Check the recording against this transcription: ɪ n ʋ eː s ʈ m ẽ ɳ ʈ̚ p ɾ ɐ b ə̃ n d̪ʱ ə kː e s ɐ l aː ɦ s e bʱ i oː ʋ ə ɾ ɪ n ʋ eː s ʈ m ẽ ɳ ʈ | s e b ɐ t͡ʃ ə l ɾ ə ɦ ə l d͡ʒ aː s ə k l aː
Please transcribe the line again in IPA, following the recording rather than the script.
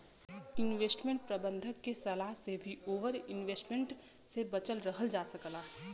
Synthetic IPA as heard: ɪ n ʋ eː s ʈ m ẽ ɳ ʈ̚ p ɾ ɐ b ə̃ n d̪ʱ ə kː e s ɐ l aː ɦ s e bʱ i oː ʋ ə ɾ ɪ n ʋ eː s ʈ m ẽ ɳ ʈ | s e b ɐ t͡ʃ ə l ɾ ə ɦ ə l d͡ʒ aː s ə k l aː